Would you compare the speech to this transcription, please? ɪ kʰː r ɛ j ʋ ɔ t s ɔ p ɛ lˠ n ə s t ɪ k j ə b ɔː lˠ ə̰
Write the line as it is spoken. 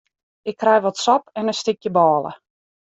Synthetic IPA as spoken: ɪ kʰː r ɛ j ʋ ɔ t s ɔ p ɛ n ə s t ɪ k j ə b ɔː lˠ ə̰